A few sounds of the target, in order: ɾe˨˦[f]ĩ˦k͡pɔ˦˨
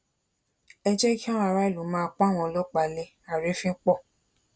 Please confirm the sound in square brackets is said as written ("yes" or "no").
yes